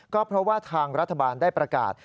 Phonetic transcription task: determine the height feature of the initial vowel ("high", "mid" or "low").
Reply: mid